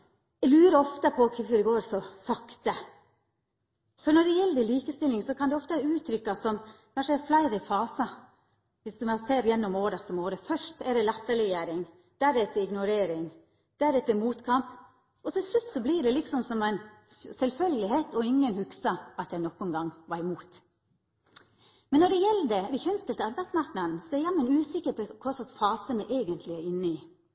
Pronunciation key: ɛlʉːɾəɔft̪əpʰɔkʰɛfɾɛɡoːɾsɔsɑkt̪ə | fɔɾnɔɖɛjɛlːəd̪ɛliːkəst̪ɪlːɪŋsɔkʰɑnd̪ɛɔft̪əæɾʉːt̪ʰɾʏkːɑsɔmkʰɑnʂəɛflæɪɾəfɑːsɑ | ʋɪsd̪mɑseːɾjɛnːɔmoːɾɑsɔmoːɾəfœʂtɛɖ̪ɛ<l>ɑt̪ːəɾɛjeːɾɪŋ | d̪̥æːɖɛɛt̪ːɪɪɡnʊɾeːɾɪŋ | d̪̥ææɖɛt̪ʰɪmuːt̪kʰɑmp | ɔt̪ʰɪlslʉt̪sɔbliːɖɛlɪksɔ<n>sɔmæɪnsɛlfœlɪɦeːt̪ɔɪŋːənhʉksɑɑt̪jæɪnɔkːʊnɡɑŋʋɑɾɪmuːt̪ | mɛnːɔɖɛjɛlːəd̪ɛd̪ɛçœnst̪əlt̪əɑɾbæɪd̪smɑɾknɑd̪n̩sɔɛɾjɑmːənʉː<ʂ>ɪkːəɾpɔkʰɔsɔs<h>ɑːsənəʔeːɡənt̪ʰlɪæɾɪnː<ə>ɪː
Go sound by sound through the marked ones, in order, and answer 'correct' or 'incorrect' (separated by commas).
correct, incorrect, incorrect, incorrect, correct